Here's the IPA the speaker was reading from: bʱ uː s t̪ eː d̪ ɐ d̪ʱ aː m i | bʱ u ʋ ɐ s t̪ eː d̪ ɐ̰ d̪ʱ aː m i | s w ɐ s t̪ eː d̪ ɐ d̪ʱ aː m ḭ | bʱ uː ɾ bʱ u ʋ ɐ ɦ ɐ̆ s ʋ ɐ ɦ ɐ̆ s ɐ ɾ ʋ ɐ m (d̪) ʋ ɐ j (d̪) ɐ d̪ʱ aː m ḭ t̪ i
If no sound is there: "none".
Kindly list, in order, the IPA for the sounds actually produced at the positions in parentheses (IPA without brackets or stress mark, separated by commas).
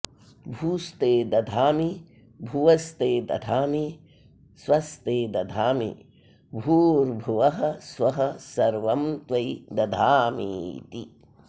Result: t̪, d̪